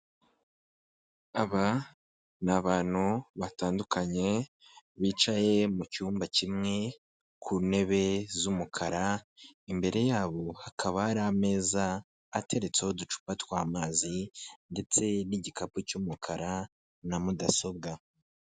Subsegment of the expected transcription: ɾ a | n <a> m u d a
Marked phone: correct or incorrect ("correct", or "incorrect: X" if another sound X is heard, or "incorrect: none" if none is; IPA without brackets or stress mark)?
correct